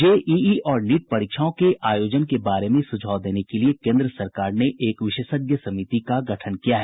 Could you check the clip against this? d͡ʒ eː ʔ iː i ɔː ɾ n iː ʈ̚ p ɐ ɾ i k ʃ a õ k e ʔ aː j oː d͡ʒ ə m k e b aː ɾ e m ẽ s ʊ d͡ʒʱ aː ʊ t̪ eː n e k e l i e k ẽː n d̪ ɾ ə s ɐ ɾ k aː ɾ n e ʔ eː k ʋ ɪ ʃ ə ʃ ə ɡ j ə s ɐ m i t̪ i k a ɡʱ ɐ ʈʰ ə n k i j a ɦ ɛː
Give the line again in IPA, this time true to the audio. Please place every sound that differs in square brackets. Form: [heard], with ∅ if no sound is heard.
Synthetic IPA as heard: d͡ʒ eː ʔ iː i ɔː ɾ n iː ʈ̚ p ɐ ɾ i k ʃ a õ k e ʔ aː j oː d͡ʒ ə [n] k e b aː ɾ e m ẽ s ʊ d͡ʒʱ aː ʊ [d̪] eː n e k e l i e k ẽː n d̪ ɾ ə s ɐ ɾ k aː ɾ n e ʔ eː k ʋ ɪ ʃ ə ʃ ə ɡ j ə s ɐ m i t̪ i k a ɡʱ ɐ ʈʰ ə n k i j a ɦ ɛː

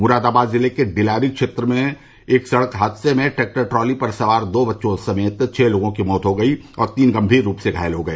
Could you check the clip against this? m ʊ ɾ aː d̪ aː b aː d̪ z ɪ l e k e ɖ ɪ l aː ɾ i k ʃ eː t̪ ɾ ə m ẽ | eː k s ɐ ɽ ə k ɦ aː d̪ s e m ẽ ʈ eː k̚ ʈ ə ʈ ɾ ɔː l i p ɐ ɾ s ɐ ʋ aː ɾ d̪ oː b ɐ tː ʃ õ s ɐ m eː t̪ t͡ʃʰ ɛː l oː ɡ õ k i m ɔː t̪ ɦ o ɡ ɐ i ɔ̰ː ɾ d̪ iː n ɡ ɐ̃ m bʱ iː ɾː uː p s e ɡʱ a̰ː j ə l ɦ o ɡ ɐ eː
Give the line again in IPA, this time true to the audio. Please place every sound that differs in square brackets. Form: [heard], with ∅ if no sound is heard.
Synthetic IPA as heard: m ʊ ɾ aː d̪ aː b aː d̪ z ɪ l e k e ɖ ɪ l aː ɾ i k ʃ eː t̪ ɾ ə m ẽ | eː k s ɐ ɽ ə k ɦ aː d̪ s e m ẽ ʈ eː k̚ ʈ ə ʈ ɾ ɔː l i p ɐ ɾ s ɐ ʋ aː ɾ d̪ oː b ɐ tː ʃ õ s ɐ m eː t̪ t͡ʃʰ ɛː l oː ɡ õ k i m ɔː t̪ ɦ o ɡ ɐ i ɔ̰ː ɾ [t̪] iː n ɡ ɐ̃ m bʱ iː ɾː uː p s e ɡʱ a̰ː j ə l ɦ o ɡ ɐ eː

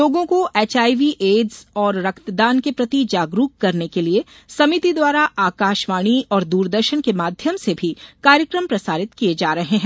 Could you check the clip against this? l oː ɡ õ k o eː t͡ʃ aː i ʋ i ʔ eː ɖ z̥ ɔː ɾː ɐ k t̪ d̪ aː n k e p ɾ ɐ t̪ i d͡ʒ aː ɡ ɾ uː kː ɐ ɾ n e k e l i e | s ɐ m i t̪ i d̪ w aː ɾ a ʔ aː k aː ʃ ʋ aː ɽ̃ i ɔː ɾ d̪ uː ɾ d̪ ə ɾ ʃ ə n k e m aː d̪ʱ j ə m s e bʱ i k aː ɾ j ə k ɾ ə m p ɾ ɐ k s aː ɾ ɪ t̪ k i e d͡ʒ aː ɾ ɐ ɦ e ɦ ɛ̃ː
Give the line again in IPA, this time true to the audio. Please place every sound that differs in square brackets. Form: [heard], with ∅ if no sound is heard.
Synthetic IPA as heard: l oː ɡ õ k o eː t͡ʃ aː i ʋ i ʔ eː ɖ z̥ ɔː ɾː ɐ k t̪ d̪ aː n k e p ɾ ɐ t̪ i d͡ʒ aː ɡ ɾ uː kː ɐ ɾ n e k e l i e | s ɐ m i t̪ i d̪ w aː ɾ a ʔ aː k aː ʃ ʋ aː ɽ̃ i ɔː ɾ d̪ uː ɾ d̪ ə ɾ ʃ ə n k e m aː d̪ʱ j ə m s e bʱ i k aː ɾ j ə k ɾ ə m p ɾ ɐ [∅] s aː ɾ ɪ t̪ k i e d͡ʒ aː ɾ ɐ ɦ e ɦ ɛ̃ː

